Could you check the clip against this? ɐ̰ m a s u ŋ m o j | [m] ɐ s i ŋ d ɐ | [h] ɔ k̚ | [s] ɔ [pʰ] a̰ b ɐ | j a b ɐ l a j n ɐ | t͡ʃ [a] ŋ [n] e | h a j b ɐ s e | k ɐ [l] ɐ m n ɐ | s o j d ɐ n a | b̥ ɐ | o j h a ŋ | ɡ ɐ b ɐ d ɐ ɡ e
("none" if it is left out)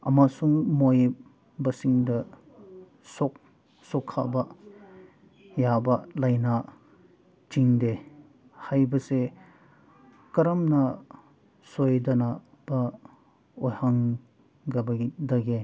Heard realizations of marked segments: b, s, s, kʰ, i, d, ɾ

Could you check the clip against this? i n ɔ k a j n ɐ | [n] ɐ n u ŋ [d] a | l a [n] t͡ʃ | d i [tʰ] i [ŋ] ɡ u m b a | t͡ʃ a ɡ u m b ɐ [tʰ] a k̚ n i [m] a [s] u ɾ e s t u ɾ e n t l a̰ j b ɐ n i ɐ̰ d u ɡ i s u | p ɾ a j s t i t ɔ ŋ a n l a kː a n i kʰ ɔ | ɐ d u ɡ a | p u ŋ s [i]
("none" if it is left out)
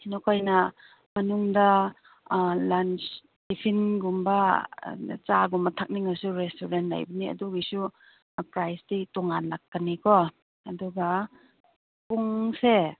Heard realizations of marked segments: m, d, n, pʰ, n, tʰ, ŋ, s, e

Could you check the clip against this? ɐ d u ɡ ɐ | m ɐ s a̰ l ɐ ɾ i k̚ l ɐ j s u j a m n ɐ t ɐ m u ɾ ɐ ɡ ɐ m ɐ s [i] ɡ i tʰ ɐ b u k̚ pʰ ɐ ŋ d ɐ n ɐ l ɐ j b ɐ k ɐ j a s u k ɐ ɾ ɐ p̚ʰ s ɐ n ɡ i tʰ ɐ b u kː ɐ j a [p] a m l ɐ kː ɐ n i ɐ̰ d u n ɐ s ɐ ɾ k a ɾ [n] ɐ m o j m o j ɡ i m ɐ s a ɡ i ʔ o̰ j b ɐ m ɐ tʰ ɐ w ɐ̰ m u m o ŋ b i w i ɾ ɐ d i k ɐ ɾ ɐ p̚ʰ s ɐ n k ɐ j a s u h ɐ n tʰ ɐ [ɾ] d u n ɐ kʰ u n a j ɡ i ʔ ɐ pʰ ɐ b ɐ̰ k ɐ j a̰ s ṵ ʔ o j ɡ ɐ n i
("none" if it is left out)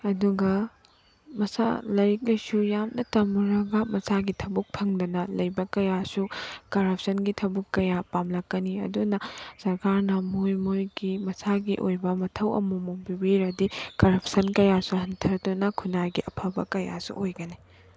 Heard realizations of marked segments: a, p, n, ɾ

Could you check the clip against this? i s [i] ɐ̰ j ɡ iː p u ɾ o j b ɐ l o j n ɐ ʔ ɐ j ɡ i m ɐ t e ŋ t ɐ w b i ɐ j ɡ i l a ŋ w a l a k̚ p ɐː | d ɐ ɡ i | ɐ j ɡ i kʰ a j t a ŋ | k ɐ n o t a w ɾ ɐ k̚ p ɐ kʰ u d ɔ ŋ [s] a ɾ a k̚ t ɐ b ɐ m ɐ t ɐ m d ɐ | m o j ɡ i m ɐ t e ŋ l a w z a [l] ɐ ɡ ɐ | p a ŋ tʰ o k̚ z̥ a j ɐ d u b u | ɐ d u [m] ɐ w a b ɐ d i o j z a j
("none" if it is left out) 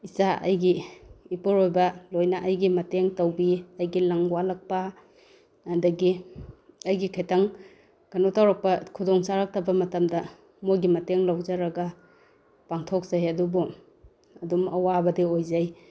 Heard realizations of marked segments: a, s, ɾ, m

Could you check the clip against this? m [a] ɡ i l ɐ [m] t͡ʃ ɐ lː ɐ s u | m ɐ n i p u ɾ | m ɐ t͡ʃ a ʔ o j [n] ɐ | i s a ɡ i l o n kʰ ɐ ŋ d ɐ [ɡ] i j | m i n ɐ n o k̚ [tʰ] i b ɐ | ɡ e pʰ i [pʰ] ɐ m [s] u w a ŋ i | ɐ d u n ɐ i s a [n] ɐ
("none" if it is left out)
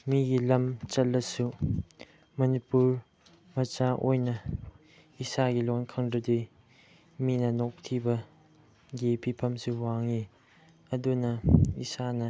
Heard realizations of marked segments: i, m, n, d, tʰ, pʰ, s, n

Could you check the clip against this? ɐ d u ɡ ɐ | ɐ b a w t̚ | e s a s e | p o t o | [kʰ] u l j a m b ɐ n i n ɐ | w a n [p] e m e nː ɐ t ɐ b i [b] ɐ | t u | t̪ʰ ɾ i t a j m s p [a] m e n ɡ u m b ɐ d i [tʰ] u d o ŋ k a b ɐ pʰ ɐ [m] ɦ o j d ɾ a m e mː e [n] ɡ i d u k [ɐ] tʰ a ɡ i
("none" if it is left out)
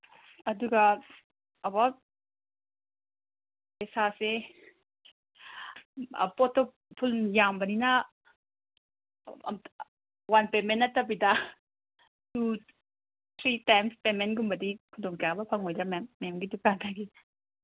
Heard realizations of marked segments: pʰ, p, d, e, kʰ, ŋ, m, a

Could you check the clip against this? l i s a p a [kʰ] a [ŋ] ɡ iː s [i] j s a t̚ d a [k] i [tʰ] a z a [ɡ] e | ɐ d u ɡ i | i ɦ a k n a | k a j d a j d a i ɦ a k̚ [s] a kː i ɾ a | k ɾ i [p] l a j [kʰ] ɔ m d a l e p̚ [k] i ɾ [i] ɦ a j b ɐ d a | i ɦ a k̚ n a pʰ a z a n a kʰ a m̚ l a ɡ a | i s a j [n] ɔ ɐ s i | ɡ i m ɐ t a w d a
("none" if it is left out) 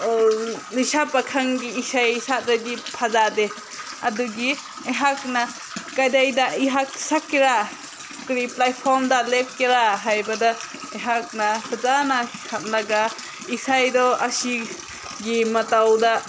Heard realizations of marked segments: kʰ, ŋ, a, ɡ, pʰ, d, s, p, pʰ, k, a, d

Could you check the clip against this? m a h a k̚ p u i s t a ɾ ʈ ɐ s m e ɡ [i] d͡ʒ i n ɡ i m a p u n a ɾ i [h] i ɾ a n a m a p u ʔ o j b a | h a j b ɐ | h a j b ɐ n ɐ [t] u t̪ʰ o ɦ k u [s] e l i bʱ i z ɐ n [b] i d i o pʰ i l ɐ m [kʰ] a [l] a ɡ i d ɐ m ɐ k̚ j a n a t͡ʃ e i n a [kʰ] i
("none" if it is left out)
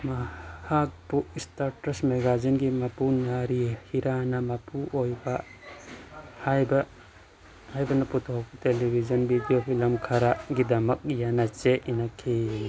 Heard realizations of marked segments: a, h, p, t, b, kʰ, ɾ, kʰ

